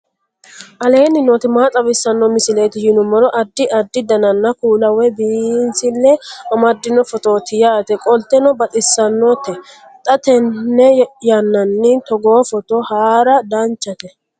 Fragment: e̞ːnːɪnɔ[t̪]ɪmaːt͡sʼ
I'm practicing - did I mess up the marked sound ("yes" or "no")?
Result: no